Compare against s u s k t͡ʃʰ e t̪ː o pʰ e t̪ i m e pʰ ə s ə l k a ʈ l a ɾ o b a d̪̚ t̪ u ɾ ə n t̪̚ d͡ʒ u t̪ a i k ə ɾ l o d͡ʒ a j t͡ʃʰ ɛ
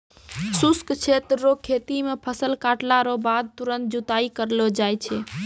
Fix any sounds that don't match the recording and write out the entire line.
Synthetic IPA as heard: s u s k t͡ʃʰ e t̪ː o kʰ e t̪ i m e pʰ ə s ə l k a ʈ l a ɾ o b a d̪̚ t̪ u ɾ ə n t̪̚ d͡ʒ u t̪ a i k ə ɾ l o d͡ʒ a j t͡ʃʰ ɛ